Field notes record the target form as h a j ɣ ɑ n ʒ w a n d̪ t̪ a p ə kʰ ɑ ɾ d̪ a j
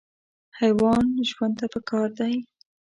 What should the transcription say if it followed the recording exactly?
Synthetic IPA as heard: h a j w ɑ n ʒ w a n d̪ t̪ a p ə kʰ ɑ ɾ d̪ a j